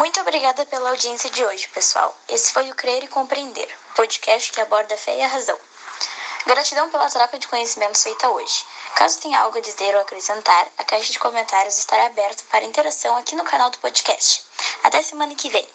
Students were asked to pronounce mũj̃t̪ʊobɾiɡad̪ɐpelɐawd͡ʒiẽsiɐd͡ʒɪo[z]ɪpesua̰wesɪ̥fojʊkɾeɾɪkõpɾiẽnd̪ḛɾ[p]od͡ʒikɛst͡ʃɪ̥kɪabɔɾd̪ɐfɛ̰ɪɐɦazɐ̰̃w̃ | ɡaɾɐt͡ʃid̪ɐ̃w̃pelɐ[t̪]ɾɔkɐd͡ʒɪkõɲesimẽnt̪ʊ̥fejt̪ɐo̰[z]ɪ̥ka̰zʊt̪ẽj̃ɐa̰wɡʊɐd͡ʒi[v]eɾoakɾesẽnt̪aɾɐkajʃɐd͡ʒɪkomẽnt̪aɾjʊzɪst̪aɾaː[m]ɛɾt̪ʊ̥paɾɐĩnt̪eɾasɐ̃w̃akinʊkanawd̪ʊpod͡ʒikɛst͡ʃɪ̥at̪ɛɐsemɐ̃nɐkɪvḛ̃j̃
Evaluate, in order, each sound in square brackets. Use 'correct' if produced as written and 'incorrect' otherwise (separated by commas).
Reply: incorrect, correct, correct, incorrect, incorrect, incorrect